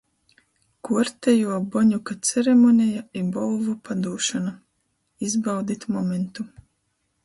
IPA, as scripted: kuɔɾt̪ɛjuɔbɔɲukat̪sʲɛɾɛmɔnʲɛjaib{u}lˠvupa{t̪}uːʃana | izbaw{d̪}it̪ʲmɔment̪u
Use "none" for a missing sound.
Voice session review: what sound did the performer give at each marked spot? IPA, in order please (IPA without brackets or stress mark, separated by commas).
ɔ, d̪, d̪